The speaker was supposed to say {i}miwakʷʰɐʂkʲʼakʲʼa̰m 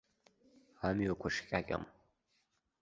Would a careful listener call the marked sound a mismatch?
yes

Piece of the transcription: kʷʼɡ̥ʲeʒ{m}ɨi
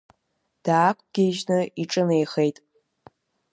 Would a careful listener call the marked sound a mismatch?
yes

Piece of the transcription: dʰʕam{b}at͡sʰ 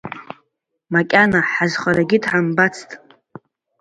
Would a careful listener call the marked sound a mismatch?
no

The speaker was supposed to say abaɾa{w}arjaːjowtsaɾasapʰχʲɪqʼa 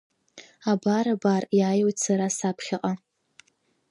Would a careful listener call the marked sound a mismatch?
yes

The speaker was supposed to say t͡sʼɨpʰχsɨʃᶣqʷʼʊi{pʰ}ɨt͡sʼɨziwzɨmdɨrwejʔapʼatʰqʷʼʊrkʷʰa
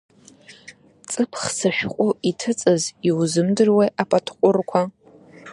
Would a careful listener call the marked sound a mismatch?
yes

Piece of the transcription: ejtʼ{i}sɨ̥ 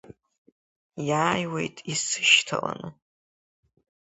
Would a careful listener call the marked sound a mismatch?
no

